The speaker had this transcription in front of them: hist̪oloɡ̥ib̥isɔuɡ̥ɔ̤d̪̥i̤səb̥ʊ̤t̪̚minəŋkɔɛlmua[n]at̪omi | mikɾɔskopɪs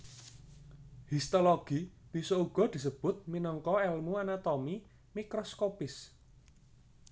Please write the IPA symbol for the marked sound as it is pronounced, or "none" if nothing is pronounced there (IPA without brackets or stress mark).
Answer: n